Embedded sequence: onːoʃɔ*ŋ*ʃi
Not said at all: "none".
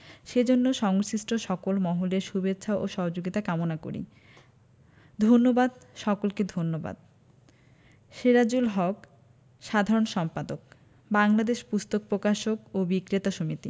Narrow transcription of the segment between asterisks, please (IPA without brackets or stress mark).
ŋ